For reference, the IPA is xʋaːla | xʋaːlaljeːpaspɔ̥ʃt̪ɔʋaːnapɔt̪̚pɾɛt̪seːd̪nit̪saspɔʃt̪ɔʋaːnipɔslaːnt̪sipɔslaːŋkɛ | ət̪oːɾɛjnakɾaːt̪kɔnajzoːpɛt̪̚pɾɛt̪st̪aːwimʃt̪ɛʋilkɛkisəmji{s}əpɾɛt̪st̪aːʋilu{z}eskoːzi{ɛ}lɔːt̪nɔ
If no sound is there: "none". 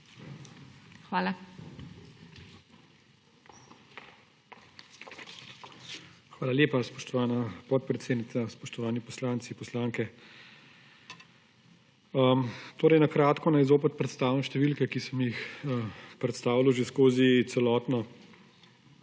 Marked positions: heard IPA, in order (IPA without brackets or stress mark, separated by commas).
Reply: x, ʒ, ɛ